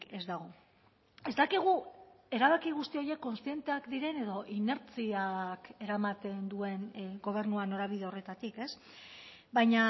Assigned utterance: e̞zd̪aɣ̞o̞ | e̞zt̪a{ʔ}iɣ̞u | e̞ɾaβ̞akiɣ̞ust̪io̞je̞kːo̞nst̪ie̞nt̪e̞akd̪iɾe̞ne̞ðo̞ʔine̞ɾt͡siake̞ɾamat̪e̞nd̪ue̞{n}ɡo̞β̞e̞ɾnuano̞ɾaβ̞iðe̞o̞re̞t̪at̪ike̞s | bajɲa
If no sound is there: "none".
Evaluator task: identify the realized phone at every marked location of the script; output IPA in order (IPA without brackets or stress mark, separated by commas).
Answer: k, n